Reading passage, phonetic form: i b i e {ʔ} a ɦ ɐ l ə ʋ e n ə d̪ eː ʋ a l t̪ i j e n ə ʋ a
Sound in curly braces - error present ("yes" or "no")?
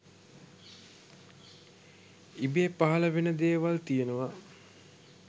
yes